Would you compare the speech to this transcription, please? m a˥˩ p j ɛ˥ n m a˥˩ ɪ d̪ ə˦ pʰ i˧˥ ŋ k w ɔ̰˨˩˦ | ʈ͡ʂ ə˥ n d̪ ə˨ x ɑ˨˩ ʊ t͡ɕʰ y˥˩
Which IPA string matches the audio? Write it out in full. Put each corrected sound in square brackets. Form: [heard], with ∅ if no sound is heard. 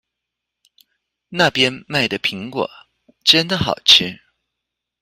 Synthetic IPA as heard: [n] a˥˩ p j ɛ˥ n m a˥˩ ɪ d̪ [ə˩] pʰ i˧˥ ŋ k w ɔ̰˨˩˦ | ʈ͡ʂ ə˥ n d̪ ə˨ x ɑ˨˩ ʊ t͡ɕʰ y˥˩